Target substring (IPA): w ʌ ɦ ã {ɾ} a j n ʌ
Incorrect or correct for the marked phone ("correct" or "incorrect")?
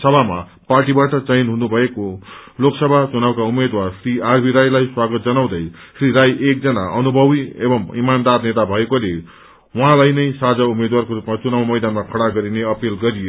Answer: incorrect